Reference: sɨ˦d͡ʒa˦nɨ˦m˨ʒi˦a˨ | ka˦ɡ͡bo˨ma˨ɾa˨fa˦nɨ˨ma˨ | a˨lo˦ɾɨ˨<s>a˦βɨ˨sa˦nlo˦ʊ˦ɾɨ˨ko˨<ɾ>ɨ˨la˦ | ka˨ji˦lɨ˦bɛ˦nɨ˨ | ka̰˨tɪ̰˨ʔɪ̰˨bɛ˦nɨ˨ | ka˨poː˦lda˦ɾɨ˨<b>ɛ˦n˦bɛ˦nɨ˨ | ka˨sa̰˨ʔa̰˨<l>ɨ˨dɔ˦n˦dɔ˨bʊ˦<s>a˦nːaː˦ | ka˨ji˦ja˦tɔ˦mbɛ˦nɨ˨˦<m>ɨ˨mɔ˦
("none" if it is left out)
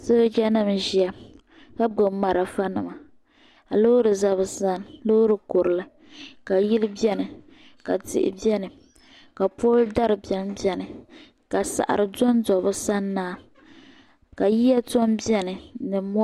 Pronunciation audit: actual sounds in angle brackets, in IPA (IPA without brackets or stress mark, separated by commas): z, ɾ, b, ɾ, s, n